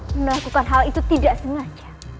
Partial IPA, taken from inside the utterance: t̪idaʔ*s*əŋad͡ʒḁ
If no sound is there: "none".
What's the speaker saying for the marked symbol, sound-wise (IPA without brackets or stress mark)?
s